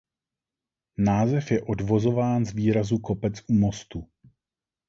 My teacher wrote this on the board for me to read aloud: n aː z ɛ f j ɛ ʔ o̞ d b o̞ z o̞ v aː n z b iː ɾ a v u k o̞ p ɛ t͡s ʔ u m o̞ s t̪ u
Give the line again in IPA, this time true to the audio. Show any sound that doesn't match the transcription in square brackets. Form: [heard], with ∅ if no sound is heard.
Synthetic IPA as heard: n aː z ɛ f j ɛ ʔ o̞ d [v] o̞ z o̞ v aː n z [v] iː ɾ a [z] u k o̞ p ɛ t͡s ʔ u m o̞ s t̪ u